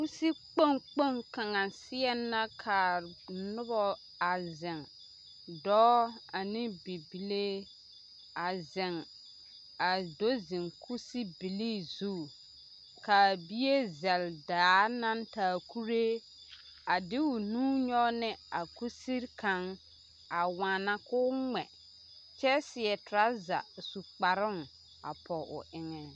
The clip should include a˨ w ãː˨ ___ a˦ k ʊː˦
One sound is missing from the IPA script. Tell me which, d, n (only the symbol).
n